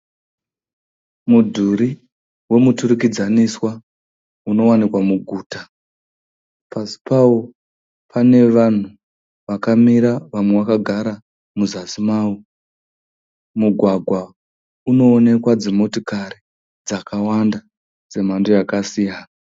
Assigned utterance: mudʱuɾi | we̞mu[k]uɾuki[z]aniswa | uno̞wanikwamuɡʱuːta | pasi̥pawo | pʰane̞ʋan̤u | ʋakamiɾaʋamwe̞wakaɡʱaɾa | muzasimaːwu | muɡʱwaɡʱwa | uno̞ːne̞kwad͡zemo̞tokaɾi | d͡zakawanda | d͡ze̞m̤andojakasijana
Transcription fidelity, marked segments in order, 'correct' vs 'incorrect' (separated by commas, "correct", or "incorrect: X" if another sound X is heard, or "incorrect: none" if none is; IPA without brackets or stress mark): incorrect: t, incorrect: d͡z